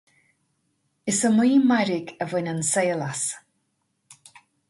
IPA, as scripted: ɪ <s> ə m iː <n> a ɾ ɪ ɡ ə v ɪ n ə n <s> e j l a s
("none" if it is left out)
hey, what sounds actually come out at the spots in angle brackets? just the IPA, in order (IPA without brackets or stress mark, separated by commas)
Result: s, m, s